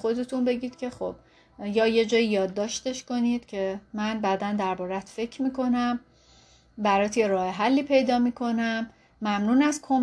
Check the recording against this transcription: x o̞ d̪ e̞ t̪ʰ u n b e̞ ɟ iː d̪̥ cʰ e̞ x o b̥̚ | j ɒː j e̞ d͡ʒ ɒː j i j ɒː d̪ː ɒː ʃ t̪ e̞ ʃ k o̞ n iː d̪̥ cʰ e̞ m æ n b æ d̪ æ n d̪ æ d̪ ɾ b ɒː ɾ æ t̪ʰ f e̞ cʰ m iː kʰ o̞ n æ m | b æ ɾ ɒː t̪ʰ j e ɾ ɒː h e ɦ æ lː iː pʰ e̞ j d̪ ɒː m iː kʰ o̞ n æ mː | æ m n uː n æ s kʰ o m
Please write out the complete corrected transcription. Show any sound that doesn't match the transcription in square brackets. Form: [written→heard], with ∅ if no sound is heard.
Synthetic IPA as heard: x o̞ d̪ e̞ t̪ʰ u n b e̞ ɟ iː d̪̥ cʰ e̞ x o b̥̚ | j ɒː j e̞ d͡ʒ ɒː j i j ɒː d̪ː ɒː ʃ t̪ e̞ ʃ k o̞ n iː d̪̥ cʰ e̞ m æ n b æ d̪ æ n d̪ æ [d̪→∅] ɾ b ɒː ɾ æ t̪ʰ f e̞ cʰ m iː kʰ o̞ n æ m | b æ ɾ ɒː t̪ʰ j e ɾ ɒː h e ɦ æ lː iː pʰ e̞ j d̪ ɒː m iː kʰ o̞ n æ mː | æ m n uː n æ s kʰ o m